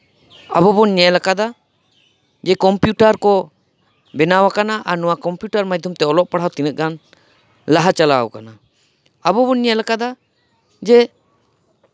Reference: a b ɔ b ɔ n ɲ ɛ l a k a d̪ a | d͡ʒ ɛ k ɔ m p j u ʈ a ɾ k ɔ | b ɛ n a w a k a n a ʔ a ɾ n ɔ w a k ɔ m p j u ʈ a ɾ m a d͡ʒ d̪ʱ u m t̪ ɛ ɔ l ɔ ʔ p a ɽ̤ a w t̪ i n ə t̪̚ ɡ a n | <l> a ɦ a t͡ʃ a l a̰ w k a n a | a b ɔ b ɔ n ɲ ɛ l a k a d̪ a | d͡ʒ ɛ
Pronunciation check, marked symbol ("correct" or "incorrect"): correct